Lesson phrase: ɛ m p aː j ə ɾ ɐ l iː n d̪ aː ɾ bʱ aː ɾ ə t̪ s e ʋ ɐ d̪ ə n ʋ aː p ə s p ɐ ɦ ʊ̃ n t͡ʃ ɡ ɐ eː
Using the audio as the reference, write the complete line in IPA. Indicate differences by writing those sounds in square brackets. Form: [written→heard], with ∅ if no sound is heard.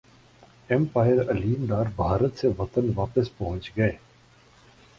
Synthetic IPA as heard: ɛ m p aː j ə ɾ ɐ l iː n d̪ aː ɾ bʱ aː ɾ ə t̪ s e ʋ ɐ [d̪→t̪] ə n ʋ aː p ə s p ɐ ɦ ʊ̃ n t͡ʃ ɡ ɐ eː